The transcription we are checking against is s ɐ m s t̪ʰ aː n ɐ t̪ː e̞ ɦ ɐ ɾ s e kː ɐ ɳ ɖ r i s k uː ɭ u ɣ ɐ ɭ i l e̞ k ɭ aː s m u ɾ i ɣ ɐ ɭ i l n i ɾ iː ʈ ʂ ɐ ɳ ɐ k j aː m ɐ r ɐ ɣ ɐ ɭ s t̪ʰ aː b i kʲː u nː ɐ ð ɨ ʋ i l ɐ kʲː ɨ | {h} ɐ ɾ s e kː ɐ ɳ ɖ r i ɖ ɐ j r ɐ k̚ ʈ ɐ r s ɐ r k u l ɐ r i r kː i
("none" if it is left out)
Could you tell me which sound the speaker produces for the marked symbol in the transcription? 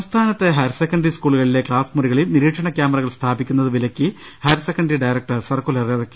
h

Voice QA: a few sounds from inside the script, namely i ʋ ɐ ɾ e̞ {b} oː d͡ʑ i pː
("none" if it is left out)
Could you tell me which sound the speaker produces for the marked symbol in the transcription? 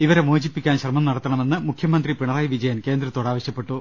m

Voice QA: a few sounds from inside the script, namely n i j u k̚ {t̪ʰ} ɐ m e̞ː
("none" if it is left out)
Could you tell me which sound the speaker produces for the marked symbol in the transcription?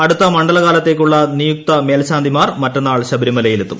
t̪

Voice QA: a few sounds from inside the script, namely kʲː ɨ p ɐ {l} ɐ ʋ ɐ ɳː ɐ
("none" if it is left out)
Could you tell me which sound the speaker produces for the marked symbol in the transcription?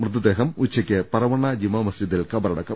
ɾ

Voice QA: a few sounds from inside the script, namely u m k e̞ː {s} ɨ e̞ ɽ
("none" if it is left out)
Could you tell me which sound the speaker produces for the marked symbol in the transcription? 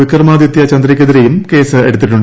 s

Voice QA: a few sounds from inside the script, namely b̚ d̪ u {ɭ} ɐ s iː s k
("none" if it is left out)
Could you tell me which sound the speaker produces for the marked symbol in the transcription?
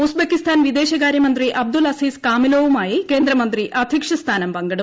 l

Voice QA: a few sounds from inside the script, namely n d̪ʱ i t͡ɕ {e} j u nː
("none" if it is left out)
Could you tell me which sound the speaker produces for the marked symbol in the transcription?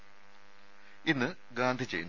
e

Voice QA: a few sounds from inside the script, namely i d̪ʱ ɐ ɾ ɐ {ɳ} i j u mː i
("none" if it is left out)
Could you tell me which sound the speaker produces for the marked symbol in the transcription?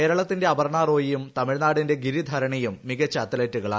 ɳ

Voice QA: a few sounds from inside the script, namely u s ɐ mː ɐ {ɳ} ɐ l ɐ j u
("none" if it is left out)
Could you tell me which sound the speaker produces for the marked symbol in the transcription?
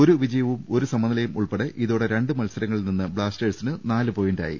n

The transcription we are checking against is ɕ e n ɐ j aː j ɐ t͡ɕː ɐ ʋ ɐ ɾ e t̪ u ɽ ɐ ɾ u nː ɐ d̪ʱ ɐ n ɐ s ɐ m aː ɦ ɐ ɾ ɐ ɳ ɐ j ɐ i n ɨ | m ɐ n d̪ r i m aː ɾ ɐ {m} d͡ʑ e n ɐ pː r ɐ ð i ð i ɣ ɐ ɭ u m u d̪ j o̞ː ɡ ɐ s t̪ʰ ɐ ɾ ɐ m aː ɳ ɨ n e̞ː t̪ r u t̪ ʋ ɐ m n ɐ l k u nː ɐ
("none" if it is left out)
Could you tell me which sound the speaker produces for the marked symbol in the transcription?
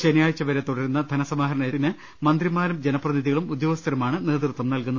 m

